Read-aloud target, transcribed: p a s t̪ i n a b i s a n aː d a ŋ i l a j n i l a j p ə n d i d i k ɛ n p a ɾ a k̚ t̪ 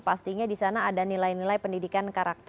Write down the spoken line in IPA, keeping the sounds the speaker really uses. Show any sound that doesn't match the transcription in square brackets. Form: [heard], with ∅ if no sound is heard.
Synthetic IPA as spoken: p a s t̪ i [ɲ] a [d] i s a n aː d a [n] i l a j n i l a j p ə n d i d i k [a] n [k] a ɾ a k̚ t̪